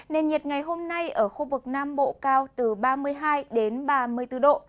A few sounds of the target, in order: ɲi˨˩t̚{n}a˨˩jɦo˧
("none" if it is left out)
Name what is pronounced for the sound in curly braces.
ŋ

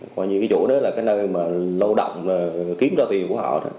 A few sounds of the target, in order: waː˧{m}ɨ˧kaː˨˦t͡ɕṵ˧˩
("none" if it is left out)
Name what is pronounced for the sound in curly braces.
ɲ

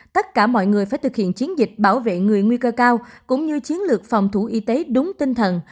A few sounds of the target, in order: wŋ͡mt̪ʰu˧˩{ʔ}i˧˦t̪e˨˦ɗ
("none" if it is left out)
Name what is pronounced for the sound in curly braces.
ʔ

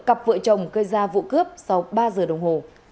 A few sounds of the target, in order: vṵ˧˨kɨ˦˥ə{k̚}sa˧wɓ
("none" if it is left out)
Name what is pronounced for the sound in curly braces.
p̚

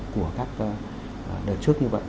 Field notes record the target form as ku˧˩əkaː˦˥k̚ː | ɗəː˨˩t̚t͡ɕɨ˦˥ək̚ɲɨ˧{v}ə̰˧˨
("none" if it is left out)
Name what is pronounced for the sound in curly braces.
v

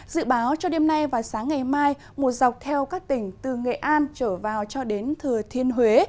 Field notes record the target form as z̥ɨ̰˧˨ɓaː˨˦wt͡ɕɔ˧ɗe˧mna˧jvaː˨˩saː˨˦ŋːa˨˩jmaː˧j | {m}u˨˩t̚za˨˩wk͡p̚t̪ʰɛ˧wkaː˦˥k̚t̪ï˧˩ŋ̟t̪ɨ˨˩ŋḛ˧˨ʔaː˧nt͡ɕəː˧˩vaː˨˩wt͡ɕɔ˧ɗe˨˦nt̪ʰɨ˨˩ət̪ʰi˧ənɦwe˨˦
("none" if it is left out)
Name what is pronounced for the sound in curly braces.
m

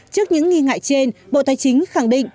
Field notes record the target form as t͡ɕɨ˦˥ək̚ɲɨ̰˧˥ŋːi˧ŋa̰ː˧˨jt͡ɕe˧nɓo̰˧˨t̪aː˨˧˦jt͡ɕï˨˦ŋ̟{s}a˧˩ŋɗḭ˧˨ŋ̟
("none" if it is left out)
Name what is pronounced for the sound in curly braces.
x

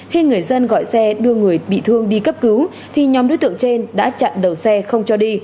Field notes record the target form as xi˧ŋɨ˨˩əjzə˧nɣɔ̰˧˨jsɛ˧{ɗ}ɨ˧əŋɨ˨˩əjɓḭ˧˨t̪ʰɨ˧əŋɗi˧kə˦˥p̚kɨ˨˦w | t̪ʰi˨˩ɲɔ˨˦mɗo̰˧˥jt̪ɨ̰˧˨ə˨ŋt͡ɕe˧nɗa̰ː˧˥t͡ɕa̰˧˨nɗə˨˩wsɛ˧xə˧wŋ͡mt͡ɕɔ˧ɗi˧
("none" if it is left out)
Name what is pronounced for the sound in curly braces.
ɗ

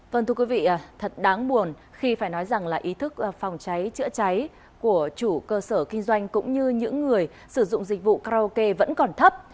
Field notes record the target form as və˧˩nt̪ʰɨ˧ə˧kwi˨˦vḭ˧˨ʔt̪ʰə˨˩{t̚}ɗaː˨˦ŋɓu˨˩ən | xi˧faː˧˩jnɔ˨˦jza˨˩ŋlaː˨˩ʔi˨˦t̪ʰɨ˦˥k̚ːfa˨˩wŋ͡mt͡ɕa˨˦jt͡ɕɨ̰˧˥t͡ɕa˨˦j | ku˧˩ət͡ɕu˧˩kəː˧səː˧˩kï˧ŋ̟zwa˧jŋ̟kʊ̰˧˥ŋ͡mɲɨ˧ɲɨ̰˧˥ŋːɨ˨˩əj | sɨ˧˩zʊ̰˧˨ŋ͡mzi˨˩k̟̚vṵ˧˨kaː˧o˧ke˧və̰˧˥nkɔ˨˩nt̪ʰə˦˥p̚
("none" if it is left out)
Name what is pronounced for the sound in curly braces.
t̚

